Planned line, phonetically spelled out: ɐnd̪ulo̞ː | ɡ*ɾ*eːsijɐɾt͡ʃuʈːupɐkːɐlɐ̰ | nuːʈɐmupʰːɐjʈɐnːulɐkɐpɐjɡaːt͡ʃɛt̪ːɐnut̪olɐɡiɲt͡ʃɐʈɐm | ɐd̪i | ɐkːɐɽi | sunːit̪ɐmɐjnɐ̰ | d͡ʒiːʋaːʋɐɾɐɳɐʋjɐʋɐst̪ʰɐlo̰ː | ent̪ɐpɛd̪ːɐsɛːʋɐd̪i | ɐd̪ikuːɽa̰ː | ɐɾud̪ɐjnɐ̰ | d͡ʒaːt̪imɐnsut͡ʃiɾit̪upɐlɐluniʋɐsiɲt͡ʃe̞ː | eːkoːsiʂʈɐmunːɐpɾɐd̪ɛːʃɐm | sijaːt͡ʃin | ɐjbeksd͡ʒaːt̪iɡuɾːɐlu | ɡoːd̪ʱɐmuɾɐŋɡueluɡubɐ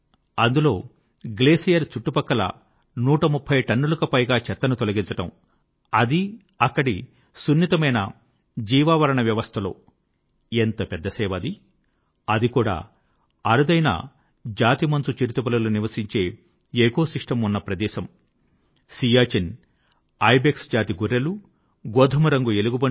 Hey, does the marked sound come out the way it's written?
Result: no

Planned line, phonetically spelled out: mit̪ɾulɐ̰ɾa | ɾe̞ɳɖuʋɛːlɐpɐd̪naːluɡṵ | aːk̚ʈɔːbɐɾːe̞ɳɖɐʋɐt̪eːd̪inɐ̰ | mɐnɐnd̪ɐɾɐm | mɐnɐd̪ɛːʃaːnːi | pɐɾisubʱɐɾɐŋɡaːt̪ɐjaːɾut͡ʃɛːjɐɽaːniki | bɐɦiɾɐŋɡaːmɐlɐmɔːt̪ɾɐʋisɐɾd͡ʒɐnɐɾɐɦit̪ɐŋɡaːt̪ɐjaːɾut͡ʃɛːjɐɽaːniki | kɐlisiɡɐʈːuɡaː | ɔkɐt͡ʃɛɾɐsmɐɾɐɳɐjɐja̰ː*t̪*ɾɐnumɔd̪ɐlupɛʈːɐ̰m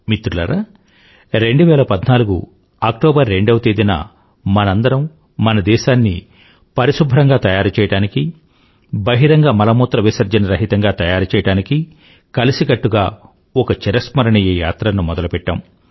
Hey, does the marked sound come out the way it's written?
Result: yes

